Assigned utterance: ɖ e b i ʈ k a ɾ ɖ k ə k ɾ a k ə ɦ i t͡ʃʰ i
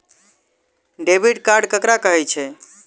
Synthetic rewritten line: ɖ e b i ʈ k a ɾ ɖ k ə k ɾ a k ə ɦ ɛ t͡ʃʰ ɛ